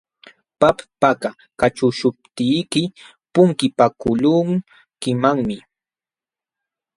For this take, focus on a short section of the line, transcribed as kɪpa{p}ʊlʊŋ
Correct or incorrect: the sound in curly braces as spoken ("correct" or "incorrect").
incorrect